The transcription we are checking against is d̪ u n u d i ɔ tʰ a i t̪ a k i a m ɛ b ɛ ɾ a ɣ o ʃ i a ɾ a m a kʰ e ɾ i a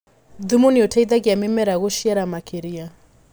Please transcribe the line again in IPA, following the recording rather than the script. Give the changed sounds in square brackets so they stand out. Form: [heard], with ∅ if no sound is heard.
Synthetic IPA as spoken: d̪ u [m] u [n] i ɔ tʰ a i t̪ a k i a m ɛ [m] ɛ ɾ a ɣ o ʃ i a ɾ a m a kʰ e ɾ i a

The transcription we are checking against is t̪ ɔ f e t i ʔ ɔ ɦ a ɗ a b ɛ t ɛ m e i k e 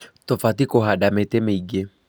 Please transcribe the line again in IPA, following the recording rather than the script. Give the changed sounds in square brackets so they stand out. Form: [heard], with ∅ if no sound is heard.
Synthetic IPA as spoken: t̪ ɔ f [a] t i [k] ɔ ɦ a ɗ a [m] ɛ t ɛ m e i [ɡ] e

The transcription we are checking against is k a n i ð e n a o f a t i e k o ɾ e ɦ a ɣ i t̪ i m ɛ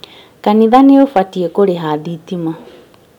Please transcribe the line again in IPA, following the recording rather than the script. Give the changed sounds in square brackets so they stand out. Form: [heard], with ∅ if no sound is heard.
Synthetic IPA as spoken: k a n i ð [a] n [e] o f a t i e k o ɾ e ɦ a [ð] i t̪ i m [a]

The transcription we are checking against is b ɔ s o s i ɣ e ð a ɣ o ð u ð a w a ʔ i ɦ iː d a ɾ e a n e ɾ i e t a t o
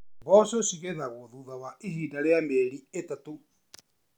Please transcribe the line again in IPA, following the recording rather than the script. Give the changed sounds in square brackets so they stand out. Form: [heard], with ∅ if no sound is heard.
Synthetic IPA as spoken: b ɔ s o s i ɣ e ð a ɣ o ð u ð a w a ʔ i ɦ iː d a ɾ e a [m] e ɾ i e t a t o

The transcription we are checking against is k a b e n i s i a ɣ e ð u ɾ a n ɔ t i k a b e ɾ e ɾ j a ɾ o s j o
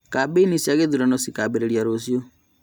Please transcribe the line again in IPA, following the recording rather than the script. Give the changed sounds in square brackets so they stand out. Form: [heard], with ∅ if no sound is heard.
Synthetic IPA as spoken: k a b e n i s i a ɣ e ð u ɾ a n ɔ [s] i k a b e ɾ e ɾ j a ɾ o s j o

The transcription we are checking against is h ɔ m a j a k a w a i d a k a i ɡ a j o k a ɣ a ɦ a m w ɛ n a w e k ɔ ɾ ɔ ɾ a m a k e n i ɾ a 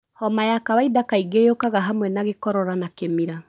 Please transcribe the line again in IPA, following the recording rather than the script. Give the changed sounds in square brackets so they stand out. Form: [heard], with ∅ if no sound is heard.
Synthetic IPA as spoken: h ɔ m a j a k a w a i d a k a i ɡ [e] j o k a ɣ a ɦ a m w ɛ n a [ɣ] e k ɔ ɾ ɔ ɾ a [n] a k e [m] i ɾ a

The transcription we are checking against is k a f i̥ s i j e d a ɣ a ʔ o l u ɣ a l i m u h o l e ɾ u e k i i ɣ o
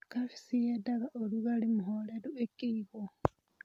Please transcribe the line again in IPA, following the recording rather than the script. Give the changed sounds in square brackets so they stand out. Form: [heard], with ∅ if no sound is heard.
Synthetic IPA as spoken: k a f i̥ s i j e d a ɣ a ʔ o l u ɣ a l i m u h o l e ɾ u e k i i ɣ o

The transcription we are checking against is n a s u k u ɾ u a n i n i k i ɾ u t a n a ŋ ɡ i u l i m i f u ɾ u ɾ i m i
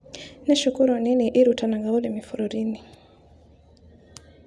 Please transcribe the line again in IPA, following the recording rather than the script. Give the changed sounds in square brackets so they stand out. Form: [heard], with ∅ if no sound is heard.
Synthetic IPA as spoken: n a [ʃ] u k u ɾ u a n i n i [ʔ] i ɾ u t a n a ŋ ɡ [a] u l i m i f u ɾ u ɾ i [n] i

